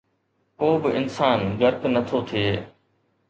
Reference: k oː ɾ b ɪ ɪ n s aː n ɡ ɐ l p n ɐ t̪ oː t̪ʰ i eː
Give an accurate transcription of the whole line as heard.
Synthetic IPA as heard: k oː b ɪ ɪ n s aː n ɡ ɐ ɾ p n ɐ t̪ʰ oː t̪ʰ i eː